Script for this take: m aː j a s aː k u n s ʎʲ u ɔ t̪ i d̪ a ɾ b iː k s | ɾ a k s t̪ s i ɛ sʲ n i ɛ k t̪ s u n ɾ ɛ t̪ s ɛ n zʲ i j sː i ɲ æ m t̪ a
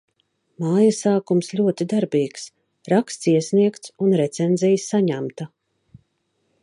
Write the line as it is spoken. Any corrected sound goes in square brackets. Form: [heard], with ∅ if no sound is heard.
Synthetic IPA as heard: m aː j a s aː k u [m] s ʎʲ u ɔ t̪ i d̪ a ɾ b iː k s | ɾ a k s t̪ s i ɛ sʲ n i ɛ k t̪ s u n ɾ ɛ t̪ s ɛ n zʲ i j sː [a] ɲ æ m t̪ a